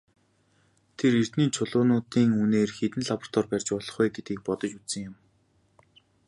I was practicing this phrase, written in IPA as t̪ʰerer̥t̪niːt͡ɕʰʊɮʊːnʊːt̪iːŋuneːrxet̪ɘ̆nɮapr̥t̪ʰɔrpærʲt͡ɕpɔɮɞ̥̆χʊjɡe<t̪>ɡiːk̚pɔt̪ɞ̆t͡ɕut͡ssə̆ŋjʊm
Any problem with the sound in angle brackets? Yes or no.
no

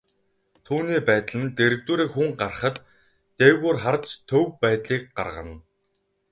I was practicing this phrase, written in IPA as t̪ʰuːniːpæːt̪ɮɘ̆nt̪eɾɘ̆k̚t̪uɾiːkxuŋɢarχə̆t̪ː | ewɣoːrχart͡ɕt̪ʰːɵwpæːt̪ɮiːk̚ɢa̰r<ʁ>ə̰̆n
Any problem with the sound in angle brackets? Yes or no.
no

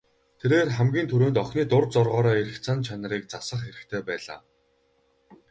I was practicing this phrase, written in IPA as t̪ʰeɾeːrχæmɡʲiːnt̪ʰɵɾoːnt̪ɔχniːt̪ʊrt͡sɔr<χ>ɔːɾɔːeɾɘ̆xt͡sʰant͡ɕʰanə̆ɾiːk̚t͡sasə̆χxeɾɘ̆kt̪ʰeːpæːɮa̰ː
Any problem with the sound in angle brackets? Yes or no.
yes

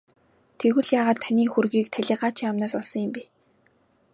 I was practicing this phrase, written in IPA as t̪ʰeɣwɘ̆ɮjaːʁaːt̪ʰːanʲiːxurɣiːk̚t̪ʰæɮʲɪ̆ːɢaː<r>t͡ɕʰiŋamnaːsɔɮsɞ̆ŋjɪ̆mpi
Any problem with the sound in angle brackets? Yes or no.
yes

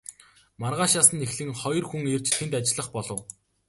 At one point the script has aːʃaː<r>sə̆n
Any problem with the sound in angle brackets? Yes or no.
yes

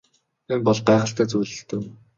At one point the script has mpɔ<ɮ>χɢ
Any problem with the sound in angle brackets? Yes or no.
no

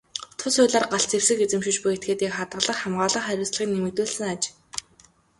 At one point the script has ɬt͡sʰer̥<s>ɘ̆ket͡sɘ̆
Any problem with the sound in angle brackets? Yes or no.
no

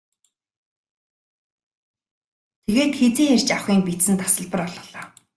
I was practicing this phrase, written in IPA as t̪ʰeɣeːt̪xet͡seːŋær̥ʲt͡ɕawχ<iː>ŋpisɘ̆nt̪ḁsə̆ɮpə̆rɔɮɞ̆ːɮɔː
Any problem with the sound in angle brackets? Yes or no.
no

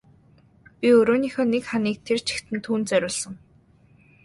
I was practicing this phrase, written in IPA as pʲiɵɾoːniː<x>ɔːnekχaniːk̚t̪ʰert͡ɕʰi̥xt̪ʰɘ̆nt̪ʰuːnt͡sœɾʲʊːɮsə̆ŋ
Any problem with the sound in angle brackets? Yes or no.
no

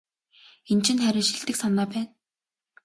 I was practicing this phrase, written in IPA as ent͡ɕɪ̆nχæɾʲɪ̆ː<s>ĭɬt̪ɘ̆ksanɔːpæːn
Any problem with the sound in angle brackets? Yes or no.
yes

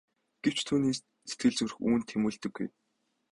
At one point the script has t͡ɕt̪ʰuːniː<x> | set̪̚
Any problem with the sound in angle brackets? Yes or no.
yes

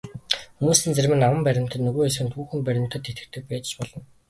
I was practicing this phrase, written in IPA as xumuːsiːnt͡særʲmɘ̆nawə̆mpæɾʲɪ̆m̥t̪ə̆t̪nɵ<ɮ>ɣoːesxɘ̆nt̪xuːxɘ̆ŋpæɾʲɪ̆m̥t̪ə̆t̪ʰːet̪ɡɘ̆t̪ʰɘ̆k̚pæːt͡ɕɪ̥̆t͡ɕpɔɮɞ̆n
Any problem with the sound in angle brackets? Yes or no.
yes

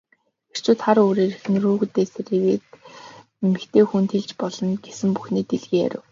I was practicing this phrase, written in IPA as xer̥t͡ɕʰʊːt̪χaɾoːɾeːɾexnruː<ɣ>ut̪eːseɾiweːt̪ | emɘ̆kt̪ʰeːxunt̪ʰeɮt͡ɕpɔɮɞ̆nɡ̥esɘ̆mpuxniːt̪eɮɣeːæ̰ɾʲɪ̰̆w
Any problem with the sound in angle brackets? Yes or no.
no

